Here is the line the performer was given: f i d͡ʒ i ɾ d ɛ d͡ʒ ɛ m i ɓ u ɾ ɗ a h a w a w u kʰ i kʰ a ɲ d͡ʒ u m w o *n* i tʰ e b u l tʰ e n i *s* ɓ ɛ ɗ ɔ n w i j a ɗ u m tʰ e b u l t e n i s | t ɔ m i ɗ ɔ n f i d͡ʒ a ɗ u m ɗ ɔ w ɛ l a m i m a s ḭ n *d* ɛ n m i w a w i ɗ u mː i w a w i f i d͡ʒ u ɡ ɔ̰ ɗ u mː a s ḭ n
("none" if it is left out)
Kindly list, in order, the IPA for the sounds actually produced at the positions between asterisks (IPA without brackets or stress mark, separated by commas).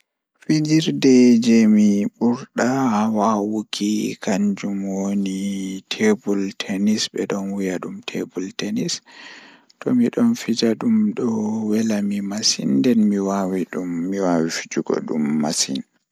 n, s, d